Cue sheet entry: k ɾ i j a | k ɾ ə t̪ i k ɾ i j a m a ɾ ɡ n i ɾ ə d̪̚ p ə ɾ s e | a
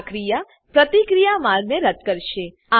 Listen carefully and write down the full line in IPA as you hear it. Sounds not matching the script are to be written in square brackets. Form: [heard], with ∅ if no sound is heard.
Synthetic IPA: k ɾ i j a | [p] ɾ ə t̪ i k ɾ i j a m a ɾ ɡ n [e] ɾ ə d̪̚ [k] ə ɾ [ʃ] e | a